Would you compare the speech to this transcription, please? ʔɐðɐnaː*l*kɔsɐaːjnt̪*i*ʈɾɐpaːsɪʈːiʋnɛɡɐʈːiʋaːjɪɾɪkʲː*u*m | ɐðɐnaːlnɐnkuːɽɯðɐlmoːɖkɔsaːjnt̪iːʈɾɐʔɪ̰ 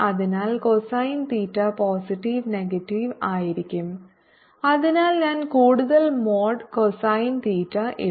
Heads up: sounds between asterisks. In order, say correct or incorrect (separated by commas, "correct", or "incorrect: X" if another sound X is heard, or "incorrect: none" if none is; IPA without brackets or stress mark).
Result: correct, incorrect: iː, incorrect: ɯ